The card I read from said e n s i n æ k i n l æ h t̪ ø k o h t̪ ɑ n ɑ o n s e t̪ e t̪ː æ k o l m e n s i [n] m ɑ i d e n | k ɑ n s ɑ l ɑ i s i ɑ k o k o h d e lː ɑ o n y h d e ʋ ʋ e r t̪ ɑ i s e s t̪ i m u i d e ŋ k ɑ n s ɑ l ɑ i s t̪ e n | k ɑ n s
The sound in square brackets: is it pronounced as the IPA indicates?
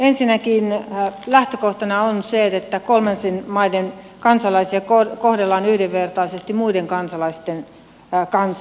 yes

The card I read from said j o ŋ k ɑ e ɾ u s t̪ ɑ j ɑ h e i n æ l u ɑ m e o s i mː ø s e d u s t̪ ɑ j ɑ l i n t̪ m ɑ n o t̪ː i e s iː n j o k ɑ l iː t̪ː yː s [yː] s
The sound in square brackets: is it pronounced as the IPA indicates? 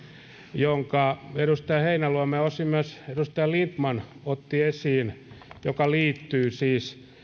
no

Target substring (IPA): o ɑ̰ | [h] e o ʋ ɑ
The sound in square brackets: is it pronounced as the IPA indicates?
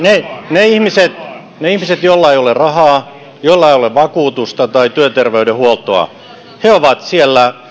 yes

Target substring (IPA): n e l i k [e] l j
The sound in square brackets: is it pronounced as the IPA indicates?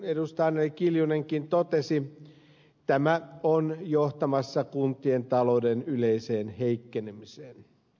no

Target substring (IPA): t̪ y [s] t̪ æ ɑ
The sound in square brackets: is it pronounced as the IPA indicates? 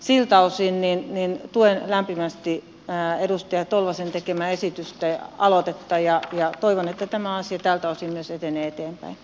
yes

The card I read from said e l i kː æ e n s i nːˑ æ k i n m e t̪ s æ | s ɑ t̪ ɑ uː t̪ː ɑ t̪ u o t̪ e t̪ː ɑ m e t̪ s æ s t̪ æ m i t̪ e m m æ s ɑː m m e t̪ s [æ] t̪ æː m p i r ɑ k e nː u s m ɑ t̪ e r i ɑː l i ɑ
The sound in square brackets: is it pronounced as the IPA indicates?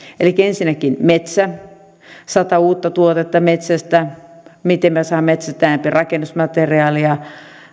yes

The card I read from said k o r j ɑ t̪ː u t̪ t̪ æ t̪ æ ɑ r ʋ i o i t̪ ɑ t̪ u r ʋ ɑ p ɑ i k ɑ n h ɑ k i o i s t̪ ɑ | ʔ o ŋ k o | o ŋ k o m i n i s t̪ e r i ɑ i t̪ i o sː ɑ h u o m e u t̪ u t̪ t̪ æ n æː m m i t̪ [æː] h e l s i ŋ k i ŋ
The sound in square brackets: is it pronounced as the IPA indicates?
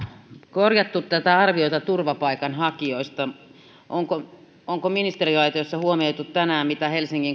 no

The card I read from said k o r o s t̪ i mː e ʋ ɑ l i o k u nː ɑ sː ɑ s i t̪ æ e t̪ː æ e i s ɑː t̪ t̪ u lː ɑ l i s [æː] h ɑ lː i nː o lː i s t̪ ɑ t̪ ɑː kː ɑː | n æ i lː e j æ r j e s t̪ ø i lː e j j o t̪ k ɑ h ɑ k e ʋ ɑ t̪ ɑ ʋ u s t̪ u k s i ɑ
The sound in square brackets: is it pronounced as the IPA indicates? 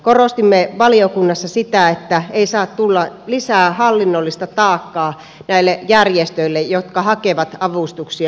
yes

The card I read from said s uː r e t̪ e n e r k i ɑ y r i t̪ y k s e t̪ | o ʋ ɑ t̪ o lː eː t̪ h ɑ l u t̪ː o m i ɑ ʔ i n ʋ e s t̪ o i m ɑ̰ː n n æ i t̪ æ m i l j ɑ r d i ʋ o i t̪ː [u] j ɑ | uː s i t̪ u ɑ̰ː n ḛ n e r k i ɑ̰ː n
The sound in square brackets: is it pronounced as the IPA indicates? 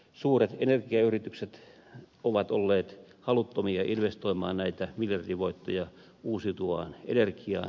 no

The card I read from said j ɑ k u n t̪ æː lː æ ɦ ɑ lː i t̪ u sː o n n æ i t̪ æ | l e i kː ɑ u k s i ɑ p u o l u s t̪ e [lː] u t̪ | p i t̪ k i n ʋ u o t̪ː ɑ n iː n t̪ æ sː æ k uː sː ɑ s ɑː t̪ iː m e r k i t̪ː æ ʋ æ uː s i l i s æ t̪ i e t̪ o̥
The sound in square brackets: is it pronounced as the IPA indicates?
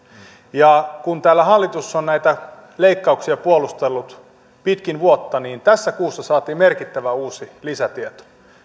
yes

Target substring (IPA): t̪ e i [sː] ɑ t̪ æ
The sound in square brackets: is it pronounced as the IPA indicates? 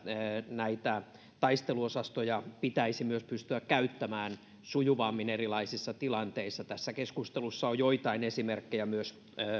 yes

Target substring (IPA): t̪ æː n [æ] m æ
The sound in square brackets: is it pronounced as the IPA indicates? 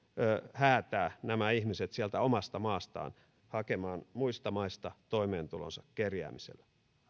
yes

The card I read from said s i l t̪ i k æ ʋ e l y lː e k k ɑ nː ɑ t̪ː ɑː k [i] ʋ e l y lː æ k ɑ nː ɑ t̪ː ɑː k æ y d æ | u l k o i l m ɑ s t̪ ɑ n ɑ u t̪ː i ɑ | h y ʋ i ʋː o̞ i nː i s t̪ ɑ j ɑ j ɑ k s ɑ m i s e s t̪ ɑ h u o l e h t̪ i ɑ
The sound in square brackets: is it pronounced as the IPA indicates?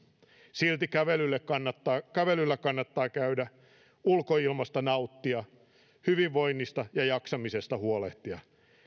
no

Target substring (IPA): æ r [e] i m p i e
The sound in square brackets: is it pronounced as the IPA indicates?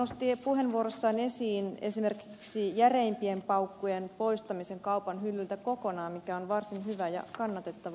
yes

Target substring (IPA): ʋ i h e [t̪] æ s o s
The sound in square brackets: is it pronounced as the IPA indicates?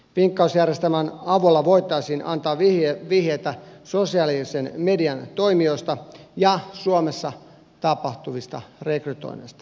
yes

